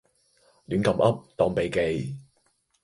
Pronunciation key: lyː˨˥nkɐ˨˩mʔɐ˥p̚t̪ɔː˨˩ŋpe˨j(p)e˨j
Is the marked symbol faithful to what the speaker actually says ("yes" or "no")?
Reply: no